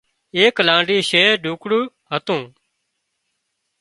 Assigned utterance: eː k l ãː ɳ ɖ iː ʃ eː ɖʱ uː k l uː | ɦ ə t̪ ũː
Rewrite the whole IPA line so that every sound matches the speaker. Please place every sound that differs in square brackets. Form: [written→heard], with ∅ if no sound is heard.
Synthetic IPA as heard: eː k l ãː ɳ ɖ iː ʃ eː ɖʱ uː k [l→ɽ] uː | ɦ ə t̪ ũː